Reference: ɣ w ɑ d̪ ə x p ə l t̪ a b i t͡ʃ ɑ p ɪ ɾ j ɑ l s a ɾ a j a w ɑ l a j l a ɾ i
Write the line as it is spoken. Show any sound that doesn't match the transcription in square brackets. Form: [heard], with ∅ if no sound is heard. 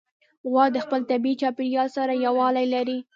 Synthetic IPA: ɣ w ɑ d̪ ə x p ə l t̪ a b i t͡ʃ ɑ p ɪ ɾ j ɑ l s a ɾ a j a w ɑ l a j l a ɾ i